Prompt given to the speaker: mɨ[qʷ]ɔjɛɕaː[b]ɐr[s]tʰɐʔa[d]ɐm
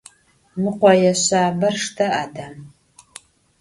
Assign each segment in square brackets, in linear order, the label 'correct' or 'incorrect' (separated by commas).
correct, correct, incorrect, correct